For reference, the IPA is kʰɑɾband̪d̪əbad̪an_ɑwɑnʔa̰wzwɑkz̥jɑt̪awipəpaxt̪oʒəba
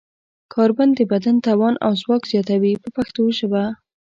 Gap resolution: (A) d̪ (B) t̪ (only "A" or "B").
B